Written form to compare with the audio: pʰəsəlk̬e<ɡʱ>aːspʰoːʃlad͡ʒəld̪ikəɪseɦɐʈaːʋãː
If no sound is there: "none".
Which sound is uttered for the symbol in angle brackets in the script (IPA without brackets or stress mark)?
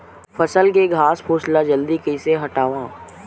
ɡʱ